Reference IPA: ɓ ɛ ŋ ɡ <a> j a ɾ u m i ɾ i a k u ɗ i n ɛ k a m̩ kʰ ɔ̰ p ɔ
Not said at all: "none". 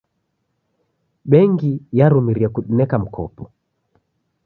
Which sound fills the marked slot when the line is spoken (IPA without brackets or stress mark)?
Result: i